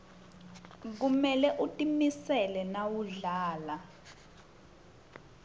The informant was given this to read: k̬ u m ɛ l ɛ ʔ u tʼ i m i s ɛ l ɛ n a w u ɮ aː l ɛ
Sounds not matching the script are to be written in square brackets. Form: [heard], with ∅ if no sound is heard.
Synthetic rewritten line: k̬ u m ɛ l ɛ ʔ u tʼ i m i s ɛ l ɛ n a w u ɮ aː l [a]